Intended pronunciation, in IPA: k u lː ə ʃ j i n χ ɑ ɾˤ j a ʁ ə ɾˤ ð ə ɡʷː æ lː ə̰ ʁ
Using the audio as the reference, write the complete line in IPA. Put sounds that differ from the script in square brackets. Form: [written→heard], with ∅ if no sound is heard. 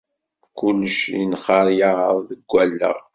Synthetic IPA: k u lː ə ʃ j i n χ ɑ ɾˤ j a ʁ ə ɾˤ ð ə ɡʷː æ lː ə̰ ʁ